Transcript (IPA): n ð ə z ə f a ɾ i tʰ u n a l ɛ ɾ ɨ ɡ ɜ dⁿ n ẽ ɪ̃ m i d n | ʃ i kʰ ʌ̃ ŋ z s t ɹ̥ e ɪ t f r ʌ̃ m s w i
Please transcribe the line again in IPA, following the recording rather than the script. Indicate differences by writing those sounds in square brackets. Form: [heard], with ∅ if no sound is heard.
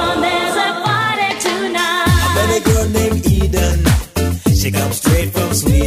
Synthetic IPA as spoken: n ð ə z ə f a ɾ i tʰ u n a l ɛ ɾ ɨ ɡ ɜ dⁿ n ẽ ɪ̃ m i d n | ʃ i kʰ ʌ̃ [m] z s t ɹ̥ e ɪ t f [ɹ] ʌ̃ m s w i